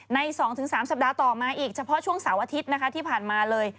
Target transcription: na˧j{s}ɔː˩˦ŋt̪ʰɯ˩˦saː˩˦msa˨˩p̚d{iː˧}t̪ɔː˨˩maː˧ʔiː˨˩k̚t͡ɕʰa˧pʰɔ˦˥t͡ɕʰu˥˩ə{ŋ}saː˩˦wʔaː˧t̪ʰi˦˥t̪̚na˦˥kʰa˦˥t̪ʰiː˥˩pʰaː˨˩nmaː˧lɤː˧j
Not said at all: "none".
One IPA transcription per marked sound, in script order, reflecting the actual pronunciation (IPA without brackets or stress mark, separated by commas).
s, aː˧, ŋ